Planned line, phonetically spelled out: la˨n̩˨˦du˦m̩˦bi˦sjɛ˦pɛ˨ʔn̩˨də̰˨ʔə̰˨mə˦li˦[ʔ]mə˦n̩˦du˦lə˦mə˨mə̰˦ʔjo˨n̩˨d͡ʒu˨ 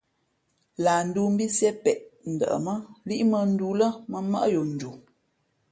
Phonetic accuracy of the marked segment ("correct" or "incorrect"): correct